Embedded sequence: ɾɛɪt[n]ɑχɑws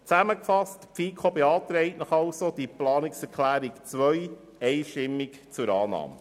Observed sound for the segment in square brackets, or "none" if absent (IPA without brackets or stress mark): n